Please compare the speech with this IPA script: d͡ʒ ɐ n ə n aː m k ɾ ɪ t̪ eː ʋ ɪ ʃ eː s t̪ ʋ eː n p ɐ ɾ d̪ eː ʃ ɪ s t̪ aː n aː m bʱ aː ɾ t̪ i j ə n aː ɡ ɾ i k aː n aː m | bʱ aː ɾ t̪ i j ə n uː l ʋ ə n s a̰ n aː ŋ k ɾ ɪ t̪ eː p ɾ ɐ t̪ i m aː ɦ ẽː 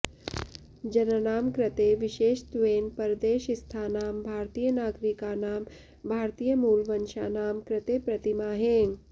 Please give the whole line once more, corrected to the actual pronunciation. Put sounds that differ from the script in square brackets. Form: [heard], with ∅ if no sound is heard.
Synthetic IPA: d͡ʒ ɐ n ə n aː m k ɾ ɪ t̪ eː ʋ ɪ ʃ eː [ʃ] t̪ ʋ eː n p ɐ ɾ d̪ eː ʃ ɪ s [t̪ʰ] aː n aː m bʱ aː ɾ t̪ i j ə n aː ɡ ɾ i k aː n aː m | bʱ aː ɾ t̪ i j ə [m] uː l ʋ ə n [ʃ] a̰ n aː [m] k ɾ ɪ t̪ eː p ɾ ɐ t̪ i m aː ɦ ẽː

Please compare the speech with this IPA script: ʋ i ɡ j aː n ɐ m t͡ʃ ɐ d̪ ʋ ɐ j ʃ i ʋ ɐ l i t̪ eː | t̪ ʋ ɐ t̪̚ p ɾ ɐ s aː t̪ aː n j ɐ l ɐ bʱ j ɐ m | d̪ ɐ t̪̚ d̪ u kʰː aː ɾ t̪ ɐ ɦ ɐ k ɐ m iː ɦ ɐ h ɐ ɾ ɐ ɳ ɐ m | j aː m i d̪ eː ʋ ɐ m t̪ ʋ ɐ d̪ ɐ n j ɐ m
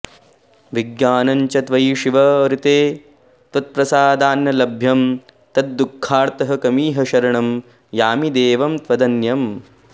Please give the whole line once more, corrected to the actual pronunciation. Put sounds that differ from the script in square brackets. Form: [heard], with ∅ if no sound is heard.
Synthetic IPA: ʋ i ɡ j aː n ɐ [ɲ] t͡ʃ ɐ [t̪] ʋ ɐ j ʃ i ʋ ɐ [ɾ] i t̪ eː | t̪ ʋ ɐ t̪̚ p ɾ ɐ s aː [d̪] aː n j ɐ l ɐ bʱ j ɐ m | [t̪] ɐ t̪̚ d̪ u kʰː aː ɾ t̪ ɐ ɦ ɐ k ɐ m iː ɦ ɐ [ʃ] ɐ ɾ ɐ ɳ ɐ m | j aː m i d̪ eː ʋ ɐ m t̪ ʋ ɐ d̪ ɐ n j ɐ m

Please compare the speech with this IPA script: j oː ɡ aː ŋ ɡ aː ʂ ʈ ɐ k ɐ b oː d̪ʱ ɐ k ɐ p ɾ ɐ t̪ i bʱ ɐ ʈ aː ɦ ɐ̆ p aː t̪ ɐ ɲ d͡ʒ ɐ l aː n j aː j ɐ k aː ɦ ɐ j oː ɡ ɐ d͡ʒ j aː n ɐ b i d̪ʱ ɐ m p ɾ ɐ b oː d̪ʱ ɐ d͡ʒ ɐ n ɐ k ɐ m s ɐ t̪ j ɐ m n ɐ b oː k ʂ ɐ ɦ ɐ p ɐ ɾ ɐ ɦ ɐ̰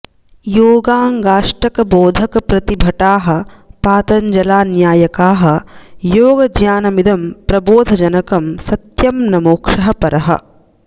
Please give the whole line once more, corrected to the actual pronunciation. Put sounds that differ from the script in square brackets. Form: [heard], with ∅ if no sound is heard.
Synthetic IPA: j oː ɡ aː ŋ ɡ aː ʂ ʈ ɐ k ɐ b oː d̪ʱ ɐ k ɐ p ɾ ɐ t̪ i bʱ ɐ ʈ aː ɦ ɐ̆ p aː t̪ ɐ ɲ d͡ʒ ɐ l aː n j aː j ɐ k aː ɦ ɐ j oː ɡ ɐ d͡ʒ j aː n ɐ [m] i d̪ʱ ɐ m p ɾ ɐ b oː d̪ʱ ɐ d͡ʒ ɐ n ɐ k ɐ m s ɐ t̪ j ɐ m n ɐ [m] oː k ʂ ɐ ɦ ɐ p ɐ ɾ ɐ ɦ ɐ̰

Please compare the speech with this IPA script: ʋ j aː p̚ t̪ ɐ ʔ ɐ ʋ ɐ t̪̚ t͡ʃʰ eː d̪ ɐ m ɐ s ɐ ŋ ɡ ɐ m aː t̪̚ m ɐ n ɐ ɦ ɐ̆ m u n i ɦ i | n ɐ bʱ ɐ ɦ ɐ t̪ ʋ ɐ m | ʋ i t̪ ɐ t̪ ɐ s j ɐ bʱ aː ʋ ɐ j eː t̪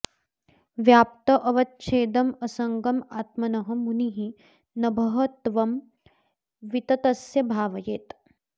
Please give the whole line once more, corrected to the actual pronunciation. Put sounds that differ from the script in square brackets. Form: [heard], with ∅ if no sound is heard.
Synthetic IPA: ʋ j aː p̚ t̪ ɐ ʔ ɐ ʋ ɐ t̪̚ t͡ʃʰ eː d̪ ɐ m ɐ s ɐ ŋ ɡ ɐ m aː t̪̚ m ɐ n ɐ ɦ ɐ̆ m u n i ɦ i | n ɐ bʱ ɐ ɦ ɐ t̪ ʋ ɐ m | ʋ i t̪ ɐ t̪ ɐ s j ɐ bʱ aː ʋ ɐ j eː t̪

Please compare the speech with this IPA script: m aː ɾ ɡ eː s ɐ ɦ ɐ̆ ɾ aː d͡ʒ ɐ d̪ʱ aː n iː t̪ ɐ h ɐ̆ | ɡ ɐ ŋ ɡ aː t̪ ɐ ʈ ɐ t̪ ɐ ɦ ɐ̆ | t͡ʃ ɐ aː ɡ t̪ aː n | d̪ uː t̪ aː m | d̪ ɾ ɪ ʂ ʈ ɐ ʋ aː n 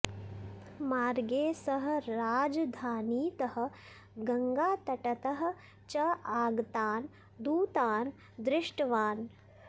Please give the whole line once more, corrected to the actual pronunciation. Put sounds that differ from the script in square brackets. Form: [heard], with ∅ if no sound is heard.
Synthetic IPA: m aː ɾ ɡ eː s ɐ ɦ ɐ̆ ɾ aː d͡ʒ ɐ d̪ʱ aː n iː t̪ ɐ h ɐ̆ | ɡ ɐ ŋ ɡ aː t̪ ɐ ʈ ɐ t̪ ɐ ɦ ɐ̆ | t͡ʃ ɐ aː ɡ t̪ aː n | d̪ uː t̪ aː [n] | d̪ ɾ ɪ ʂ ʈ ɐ ʋ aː n

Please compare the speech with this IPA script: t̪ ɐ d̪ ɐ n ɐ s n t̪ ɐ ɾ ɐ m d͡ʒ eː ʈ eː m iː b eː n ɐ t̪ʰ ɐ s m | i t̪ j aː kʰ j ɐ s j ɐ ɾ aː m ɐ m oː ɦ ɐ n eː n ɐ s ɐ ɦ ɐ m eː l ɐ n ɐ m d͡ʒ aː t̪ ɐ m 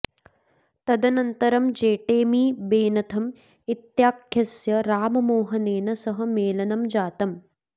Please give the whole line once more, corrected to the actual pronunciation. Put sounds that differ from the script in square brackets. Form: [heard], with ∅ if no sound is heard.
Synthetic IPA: t̪ ɐ d̪ ɐ n ɐ [∅] n t̪ ɐ ɾ ɐ m d͡ʒ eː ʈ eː m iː b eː n ɐ t̪ʰ ɐ [∅] m | i t̪ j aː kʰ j ɐ s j ɐ ɾ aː m ɐ m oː ɦ ɐ n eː n ɐ s ɐ ɦ ɐ m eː l ɐ n ɐ m d͡ʒ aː t̪ ɐ m

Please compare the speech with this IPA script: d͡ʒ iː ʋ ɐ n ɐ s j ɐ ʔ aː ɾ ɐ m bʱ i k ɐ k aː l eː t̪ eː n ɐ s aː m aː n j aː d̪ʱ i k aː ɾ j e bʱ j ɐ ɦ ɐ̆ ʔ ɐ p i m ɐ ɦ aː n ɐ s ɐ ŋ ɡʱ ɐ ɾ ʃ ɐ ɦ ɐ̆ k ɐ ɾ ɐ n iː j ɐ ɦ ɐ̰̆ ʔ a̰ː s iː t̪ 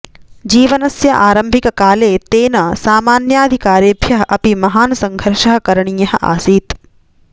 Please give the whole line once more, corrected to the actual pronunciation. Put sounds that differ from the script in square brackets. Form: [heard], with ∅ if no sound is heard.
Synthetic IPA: d͡ʒ iː ʋ ɐ n ɐ s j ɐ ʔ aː ɾ ɐ m bʱ i k ɐ k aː l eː t̪ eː n ɐ s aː m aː n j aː d̪ʱ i k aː ɾ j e bʱ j ɐ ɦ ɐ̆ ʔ ɐ p i m ɐ ɦ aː n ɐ s ɐ ŋ ɡʱ ɐ ɾ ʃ ɐ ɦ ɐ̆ k ɐ ɾ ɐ [ɳ] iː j ɐ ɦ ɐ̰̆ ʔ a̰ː s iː t̪

